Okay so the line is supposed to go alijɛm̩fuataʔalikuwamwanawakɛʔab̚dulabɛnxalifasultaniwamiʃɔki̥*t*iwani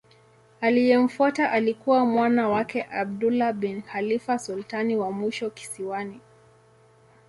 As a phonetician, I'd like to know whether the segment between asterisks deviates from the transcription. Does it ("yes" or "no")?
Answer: yes